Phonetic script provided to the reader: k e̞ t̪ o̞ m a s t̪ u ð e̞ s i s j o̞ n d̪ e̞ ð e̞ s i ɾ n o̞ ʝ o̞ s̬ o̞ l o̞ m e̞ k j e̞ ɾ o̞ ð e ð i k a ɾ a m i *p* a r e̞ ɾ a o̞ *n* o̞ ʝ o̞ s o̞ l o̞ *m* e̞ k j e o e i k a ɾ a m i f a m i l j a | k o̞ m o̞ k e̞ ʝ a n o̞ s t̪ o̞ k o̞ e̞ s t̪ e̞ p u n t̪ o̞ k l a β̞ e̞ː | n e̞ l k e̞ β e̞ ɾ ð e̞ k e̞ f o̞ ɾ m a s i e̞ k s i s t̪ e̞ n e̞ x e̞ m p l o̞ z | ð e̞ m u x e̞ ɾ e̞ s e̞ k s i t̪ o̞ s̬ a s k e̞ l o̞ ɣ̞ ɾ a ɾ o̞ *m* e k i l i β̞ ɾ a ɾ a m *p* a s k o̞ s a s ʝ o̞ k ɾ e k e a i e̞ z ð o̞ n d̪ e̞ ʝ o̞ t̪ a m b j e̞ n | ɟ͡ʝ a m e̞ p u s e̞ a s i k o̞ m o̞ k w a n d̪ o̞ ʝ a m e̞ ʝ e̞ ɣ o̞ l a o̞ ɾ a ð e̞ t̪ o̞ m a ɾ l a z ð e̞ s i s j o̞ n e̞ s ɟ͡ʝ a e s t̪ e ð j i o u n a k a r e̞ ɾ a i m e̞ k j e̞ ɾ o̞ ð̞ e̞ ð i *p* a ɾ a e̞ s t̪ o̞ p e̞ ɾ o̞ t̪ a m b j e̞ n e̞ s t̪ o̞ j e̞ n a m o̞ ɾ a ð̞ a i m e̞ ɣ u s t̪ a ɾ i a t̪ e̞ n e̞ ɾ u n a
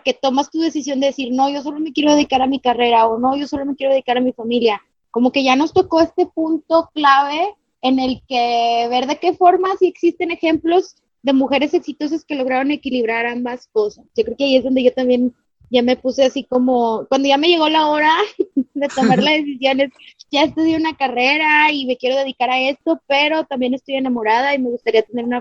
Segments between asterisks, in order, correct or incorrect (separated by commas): incorrect, correct, correct, incorrect, incorrect, incorrect